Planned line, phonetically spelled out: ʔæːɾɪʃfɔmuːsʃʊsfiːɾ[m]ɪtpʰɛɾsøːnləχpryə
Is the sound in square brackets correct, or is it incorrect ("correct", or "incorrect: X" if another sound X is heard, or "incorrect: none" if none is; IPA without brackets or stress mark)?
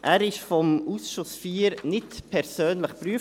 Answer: incorrect: n